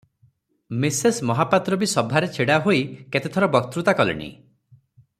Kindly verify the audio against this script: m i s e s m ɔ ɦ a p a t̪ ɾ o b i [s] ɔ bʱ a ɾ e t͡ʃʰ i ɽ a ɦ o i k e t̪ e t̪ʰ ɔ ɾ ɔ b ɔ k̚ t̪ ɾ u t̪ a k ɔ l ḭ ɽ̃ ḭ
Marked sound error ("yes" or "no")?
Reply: no